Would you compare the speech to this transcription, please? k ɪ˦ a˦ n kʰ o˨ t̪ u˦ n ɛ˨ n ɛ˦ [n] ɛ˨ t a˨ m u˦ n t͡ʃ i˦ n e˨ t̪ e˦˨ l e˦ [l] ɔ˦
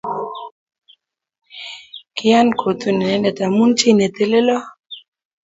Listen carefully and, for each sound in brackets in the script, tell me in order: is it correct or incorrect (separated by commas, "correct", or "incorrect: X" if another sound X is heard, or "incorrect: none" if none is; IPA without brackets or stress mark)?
correct, correct